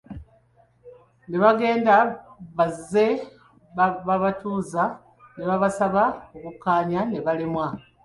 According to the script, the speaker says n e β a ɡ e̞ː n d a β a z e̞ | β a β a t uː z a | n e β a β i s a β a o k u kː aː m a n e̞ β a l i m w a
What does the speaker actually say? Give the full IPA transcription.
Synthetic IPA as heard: n e β a ɡ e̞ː n d a β a z e̞ | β a β a t uː z a | n e β a β a s a β a o k u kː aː ɲ a n e̞ β a l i m w a